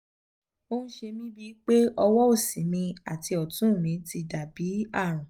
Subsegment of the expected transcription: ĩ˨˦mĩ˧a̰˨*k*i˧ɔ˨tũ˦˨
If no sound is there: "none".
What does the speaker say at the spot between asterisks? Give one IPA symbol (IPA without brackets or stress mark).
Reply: t